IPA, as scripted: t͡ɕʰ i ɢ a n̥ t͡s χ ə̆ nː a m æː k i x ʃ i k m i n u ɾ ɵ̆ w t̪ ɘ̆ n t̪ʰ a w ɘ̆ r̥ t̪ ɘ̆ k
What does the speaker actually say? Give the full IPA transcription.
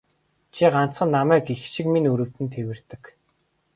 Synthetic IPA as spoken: t͡ɕʰ i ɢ a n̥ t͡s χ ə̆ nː a m æː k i x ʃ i k m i n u ɾ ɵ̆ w t̪ ɘ̆ n t̪ʰ e w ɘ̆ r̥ t̪ ɘ̆ k